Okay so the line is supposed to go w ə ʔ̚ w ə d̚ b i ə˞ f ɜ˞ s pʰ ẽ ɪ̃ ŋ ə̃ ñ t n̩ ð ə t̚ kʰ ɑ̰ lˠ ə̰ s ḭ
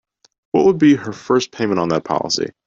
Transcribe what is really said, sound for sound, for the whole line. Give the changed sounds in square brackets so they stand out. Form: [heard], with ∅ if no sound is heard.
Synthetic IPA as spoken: w [ʌ] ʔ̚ w ə d̚ b i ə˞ f ɜ˞ s pʰ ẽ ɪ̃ [m] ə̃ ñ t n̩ ð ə t̚ [pʰ] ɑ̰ lˠ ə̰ s ḭ